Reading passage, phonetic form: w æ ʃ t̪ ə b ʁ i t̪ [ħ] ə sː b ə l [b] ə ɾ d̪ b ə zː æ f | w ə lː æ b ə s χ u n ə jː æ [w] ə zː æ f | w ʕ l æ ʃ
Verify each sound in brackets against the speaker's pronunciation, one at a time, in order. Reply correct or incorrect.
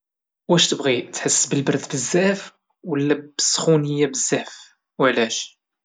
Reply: correct, correct, incorrect

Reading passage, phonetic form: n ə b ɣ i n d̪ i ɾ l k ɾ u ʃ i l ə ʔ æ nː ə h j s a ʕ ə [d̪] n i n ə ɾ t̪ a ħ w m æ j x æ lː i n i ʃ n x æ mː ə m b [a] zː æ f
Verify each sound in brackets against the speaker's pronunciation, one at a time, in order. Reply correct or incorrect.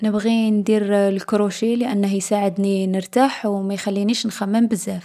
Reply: correct, incorrect

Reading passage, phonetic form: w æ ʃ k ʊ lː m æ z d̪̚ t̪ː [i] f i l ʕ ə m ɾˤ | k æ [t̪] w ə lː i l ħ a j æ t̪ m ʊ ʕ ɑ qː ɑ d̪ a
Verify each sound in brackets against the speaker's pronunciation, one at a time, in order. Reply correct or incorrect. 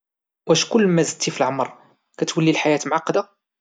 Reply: correct, correct

